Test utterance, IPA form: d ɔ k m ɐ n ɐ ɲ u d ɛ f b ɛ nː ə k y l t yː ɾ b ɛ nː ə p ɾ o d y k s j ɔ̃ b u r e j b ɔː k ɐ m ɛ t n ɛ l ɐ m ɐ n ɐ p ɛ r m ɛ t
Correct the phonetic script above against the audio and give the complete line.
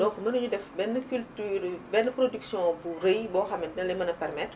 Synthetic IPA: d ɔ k m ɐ n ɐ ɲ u d ɛ f b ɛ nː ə k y l t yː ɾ b ɛ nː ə p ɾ o d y k s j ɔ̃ b u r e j b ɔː x ɐ m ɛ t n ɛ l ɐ m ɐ n ɐ p ɛ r m ɛ t